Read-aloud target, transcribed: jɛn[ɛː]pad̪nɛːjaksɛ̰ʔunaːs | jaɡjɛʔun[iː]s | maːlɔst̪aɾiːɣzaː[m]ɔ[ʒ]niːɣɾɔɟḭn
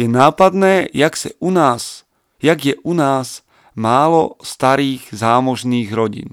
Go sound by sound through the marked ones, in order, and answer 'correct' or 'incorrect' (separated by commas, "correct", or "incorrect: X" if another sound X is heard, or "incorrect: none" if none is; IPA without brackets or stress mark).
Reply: incorrect: aː, incorrect: aː, correct, correct